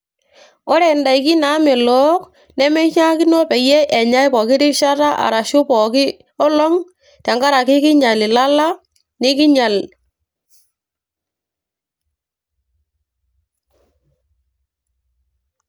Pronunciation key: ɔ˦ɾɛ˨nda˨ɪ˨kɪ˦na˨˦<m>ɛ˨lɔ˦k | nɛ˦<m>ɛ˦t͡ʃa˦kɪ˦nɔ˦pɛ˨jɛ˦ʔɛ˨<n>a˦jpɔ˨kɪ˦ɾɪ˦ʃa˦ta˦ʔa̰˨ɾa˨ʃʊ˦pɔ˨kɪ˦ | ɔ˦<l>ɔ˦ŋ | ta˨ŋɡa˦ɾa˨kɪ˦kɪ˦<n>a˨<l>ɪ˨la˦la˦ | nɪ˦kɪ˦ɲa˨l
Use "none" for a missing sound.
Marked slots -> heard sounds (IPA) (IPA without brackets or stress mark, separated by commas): m, m, ɲ, l, ɲ, l